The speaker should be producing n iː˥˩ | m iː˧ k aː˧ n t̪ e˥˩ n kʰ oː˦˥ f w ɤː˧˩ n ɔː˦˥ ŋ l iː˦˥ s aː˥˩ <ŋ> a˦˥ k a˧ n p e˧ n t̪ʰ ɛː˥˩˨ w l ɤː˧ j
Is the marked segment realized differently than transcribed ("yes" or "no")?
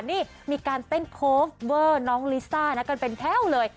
yes